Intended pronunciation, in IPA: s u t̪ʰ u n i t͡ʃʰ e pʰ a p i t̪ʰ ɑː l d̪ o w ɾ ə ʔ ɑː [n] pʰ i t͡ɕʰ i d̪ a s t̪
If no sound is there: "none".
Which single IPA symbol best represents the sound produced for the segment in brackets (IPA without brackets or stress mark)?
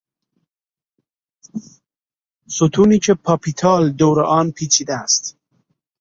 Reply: n